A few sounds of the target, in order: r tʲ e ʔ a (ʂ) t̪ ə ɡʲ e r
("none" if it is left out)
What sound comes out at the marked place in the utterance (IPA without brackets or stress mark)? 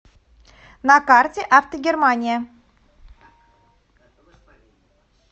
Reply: f